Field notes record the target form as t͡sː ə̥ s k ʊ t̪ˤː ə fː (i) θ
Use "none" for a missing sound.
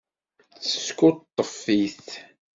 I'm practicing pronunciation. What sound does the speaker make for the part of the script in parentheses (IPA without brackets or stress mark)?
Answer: i